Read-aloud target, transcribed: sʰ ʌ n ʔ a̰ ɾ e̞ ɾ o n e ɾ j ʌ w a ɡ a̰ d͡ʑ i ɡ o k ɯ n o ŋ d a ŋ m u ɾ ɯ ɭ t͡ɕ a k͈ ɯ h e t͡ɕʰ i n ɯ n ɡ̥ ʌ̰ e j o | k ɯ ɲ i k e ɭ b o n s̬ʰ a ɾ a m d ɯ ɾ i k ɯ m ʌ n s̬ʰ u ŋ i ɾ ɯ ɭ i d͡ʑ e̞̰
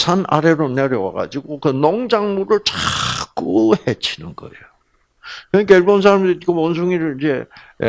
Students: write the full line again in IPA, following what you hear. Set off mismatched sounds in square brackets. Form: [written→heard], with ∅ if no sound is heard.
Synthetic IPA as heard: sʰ [ʌ→a] n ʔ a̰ ɾ e̞ ɾ o n e ɾ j ʌ w a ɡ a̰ d͡ʑ i ɡ o k ɯ n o ŋ [d→d͡ʑ] a ŋ m u ɾ ɯ ɭ t͡ɕ a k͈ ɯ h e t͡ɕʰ i n ɯ n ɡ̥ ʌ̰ e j o | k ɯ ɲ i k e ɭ b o n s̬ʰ a ɾ a m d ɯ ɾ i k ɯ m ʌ n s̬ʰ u ŋ i ɾ ɯ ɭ i d͡ʑ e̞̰